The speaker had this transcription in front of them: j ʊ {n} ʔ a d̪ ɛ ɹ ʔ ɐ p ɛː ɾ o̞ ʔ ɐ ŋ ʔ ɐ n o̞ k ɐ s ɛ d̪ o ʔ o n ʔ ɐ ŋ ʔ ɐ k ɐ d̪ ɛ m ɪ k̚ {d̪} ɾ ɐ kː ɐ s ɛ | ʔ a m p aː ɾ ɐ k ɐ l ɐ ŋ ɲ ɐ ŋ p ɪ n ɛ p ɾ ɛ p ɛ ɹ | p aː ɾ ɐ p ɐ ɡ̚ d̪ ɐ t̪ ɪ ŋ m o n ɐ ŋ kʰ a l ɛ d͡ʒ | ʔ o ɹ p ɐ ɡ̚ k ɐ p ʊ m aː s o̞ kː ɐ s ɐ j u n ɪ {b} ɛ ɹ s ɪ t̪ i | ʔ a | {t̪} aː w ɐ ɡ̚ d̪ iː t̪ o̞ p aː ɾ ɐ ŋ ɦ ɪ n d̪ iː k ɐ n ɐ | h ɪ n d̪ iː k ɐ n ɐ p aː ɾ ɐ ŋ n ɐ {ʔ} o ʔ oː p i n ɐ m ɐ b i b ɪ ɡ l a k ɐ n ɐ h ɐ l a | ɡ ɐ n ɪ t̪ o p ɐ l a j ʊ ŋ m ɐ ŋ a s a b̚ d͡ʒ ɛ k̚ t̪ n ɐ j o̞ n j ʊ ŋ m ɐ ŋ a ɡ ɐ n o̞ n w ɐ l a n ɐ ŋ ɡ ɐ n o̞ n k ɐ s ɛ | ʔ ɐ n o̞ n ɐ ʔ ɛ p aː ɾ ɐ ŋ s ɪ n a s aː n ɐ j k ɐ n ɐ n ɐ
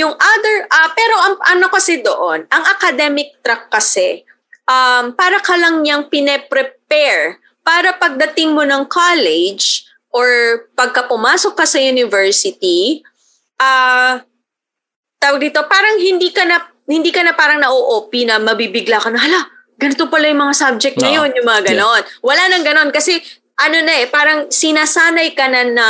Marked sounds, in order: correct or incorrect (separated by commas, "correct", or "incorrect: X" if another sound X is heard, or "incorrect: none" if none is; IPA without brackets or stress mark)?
incorrect: ŋ, incorrect: t̪, incorrect: v, correct, correct